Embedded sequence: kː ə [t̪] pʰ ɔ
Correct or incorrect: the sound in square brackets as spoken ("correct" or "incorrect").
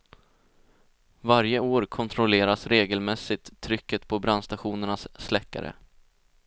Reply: correct